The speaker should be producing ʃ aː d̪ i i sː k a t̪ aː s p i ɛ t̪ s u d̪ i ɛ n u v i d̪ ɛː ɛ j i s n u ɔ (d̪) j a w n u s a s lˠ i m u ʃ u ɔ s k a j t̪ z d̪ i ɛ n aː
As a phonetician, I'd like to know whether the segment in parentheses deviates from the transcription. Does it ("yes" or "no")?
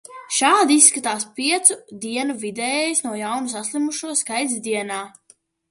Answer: yes